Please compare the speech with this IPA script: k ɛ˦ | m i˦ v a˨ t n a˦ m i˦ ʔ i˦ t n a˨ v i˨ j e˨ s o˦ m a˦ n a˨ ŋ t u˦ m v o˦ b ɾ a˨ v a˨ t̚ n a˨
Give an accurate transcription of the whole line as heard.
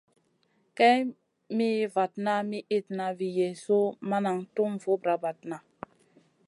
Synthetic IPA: k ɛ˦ | m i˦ v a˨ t n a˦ m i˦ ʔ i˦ t n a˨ v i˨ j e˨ s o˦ m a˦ n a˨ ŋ t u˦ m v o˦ b ɾ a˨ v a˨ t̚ n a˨